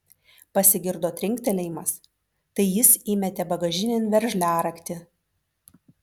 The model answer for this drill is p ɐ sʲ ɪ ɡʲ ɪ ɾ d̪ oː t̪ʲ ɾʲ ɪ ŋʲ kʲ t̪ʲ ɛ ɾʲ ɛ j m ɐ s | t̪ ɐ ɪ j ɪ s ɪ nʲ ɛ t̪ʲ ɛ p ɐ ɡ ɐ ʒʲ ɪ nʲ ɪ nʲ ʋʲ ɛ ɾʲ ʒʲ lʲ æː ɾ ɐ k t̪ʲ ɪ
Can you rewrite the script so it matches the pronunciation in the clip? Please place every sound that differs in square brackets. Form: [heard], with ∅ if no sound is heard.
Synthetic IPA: p ɐ sʲ ɪ ɡʲ ɪ ɾ d̪ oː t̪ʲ ɾʲ ɪ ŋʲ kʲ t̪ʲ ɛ [lʲ] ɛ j m ɐ s | t̪ ɐ ɪ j ɪ s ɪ [mʲ] ɛ t̪ʲ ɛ [b] ɐ ɡ ɐ ʒʲ ɪ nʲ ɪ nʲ ʋʲ ɛ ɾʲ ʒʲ lʲ æː ɾ ɐ k t̪ʲ ɪ